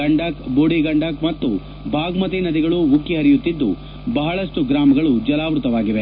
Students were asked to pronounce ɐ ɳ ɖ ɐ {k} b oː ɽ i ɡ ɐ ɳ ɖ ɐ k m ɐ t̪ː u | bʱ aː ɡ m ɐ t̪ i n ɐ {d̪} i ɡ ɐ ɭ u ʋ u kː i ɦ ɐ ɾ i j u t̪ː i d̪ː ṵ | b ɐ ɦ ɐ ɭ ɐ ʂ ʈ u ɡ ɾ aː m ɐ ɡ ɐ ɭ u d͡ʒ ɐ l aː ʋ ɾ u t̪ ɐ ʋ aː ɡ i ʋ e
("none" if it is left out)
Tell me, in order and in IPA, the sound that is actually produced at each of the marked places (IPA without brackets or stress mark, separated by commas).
k, d̪